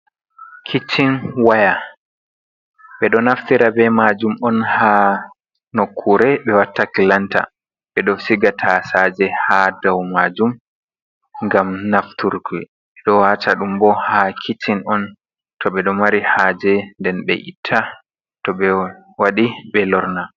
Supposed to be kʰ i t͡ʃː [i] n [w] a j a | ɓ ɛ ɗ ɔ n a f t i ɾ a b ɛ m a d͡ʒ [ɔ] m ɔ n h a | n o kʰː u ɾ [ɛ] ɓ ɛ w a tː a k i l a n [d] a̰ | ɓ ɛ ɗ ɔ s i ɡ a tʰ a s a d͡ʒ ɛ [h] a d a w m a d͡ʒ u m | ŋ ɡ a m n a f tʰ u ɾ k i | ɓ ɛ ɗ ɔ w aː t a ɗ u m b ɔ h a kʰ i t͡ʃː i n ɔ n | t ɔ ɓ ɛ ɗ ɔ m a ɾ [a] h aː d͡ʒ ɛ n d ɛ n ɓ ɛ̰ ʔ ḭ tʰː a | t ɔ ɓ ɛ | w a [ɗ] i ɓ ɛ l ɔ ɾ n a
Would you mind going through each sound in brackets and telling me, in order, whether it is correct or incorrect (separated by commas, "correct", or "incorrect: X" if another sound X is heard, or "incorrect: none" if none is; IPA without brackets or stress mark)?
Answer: correct, correct, incorrect: u, correct, incorrect: t, correct, incorrect: i, correct